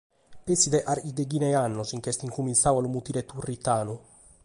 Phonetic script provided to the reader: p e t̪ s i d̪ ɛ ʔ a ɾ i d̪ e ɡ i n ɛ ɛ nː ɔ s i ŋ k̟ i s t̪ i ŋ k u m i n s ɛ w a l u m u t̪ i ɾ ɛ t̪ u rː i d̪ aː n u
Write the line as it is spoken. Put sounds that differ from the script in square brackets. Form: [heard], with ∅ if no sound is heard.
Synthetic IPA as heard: p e [∅] s i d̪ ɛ ʔ a ɾ i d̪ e ɡ i n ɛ [a] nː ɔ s i ŋ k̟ [ɛ] s t̪ i ŋ k u m i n s [a] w a l u m u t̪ i ɾ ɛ t̪ u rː i [t̪] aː n u